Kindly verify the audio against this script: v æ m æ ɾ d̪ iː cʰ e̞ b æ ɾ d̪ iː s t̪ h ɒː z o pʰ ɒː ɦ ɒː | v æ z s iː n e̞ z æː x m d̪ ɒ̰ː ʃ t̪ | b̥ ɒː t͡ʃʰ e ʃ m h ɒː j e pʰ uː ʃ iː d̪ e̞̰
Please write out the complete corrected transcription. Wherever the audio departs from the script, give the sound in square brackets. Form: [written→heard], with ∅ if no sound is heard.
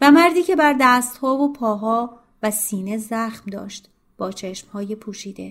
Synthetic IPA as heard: v æ m æ ɾ d̪ iː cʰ e̞ b æ ɾ d̪ [iː→æː] s t̪ h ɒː [z→v] o pʰ ɒː ɦ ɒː | v æ [z→∅] s iː n e̞ z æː x m d̪ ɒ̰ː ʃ t̪ | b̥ ɒː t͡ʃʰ e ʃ m h ɒː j e pʰ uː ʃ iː d̪ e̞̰